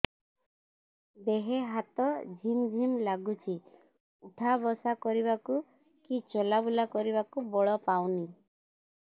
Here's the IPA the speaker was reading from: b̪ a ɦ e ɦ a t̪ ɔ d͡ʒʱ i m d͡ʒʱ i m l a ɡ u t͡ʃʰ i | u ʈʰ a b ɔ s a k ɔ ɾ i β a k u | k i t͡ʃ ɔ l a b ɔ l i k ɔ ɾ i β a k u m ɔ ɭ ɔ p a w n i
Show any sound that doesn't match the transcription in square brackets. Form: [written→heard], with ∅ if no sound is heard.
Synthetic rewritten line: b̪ [a→e] ɦ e ɦ a t̪ ɔ d͡ʒʱ i m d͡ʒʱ i m l a ɡ u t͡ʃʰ i | u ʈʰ a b ɔ s a k ɔ ɾ i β a k u | k i t͡ʃ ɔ l a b [ɔ→u] l [i→a] k ɔ ɾ i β a k u [m→b] ɔ ɭ ɔ p a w n i